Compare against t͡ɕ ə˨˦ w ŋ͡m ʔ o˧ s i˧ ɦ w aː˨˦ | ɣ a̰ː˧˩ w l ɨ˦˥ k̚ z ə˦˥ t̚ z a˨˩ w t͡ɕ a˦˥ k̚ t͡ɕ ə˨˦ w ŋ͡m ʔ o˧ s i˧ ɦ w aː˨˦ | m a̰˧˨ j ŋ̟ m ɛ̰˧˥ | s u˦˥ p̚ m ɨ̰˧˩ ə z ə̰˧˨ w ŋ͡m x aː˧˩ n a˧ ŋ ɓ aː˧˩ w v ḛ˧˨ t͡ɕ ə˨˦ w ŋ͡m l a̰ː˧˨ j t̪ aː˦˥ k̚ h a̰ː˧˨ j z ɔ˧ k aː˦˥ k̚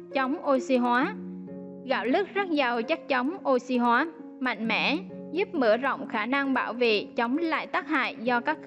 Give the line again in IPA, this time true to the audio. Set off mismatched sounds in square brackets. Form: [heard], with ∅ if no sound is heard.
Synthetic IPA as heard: t͡ɕ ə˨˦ w ŋ͡m ʔ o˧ s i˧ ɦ w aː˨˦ | ɣ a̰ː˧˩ w l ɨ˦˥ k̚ z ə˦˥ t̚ z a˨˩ w t͡ɕ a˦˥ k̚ t͡ɕ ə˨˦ w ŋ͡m ʔ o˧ s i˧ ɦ w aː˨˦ | m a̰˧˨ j ŋ̟ m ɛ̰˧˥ | [z] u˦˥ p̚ m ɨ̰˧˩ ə z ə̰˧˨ w ŋ͡m x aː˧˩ n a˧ ŋ ɓ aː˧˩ w v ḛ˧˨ t͡ɕ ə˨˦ w ŋ͡m l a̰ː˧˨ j t̪ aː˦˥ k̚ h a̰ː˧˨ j z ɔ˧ k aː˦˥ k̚

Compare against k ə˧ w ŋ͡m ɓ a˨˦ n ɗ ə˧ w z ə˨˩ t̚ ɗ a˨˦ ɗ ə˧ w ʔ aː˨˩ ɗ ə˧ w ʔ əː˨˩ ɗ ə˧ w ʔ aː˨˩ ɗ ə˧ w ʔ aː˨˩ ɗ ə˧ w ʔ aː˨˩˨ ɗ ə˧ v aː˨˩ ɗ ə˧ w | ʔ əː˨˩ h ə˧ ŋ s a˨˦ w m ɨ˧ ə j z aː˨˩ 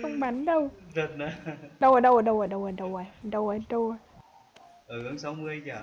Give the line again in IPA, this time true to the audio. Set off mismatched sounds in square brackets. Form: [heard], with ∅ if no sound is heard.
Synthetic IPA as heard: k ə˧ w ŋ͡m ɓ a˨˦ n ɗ ə˧ w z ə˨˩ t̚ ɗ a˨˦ ɗ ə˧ w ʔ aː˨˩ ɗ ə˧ w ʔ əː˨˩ ɗ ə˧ w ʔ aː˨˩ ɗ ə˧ w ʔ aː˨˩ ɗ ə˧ w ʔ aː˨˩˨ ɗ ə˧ [w] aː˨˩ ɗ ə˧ w | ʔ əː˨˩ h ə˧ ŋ s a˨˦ w m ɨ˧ ə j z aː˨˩

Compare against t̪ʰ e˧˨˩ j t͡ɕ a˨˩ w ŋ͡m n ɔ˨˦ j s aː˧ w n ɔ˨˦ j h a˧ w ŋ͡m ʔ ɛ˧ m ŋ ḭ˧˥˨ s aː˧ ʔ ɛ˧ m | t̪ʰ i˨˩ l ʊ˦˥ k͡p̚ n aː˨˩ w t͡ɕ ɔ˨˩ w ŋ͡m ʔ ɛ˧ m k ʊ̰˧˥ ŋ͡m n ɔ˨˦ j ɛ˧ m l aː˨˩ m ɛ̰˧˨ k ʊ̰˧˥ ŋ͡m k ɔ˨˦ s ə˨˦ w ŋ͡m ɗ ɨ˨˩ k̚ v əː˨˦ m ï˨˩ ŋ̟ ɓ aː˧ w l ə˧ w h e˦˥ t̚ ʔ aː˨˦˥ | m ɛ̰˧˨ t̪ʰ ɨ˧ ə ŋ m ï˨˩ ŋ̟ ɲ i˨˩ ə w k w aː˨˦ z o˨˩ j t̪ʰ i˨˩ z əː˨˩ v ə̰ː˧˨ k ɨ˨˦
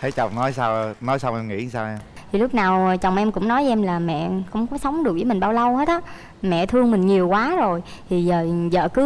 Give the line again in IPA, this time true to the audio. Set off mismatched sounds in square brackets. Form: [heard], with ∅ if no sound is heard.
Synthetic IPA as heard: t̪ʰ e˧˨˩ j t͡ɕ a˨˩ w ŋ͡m n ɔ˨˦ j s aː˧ w n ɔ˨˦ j [s] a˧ w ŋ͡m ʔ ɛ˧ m ŋ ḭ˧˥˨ s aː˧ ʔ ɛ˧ m | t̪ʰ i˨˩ l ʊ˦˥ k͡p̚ n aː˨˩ w t͡ɕ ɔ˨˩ w ŋ͡m ʔ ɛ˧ m k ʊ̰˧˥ ŋ͡m n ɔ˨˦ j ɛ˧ m l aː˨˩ m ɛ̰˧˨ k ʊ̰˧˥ ŋ͡m k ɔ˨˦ s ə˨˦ w ŋ͡m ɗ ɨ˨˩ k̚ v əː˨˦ m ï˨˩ ŋ̟ ɓ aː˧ w l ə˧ w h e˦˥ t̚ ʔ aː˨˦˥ | m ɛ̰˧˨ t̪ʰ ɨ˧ ə ŋ m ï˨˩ ŋ̟ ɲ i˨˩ ə w k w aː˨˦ z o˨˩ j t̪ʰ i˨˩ z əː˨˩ [z] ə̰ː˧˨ k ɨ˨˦

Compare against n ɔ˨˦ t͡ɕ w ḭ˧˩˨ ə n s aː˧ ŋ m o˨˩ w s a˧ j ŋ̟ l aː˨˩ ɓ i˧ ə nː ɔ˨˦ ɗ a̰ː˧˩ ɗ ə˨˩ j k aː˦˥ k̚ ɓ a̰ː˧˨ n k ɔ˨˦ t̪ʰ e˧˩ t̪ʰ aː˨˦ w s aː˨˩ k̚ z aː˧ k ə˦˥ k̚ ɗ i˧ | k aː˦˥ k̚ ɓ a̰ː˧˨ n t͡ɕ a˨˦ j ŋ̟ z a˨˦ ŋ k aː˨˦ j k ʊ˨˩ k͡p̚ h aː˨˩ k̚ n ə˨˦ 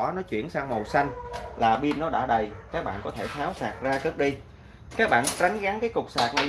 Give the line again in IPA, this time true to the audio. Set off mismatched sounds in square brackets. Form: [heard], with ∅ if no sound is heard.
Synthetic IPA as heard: n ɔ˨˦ t͡ɕ w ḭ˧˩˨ ə n s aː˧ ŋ m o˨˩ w s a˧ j ŋ̟ l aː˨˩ ɓ i˧ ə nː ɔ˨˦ ɗ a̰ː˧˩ ɗ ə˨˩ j k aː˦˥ k̚ ɓ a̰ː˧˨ n k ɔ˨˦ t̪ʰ e˧˩ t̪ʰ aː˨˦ w s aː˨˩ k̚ z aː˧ k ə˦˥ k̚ ɗ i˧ | k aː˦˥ k̚ ɓ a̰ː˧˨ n t͡ɕ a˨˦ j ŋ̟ [ɣ] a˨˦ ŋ k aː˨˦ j k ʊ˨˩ k͡p̚ [s] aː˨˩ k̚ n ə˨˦

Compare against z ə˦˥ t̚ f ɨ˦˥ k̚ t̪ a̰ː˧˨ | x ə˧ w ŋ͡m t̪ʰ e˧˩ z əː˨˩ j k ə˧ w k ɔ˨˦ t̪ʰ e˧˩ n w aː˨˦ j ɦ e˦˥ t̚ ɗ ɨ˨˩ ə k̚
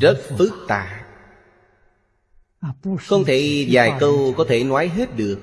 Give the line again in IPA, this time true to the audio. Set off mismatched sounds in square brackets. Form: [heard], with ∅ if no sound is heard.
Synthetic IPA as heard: z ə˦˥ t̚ f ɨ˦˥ k̚ t̪ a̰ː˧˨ | x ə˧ w ŋ͡m t̪ʰ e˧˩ z [aː˨˩] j k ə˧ w k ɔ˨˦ t̪ʰ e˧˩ n w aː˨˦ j ɦ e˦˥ t̚ ɗ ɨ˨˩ ə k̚

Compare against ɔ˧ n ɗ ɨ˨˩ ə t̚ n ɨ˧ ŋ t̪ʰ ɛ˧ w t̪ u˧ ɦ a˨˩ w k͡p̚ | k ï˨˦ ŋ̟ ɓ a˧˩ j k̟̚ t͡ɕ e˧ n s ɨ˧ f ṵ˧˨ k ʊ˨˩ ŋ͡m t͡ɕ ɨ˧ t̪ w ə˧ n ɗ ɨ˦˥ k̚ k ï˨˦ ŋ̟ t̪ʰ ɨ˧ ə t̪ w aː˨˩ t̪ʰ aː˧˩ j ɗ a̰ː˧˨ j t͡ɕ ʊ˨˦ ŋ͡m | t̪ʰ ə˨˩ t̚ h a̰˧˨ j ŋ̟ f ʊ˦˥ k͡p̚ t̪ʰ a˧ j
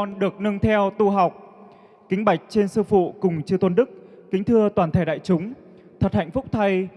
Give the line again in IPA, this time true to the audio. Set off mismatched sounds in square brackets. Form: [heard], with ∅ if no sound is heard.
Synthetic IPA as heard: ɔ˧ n ɗ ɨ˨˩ ə [k̚] n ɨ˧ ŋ t̪ʰ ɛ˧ w t̪ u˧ ɦ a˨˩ w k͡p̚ | k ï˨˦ ŋ̟ ɓ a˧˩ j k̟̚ t͡ɕ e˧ n s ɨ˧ f ṵ˧˨ k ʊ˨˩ ŋ͡m t͡ɕ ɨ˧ t̪ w ə˧ n ɗ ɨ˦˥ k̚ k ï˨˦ ŋ̟ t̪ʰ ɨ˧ ə t̪ w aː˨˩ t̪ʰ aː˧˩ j ɗ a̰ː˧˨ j t͡ɕ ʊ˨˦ ŋ͡m | t̪ʰ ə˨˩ t̚ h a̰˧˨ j ŋ̟ f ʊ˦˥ k͡p̚ t̪ʰ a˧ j

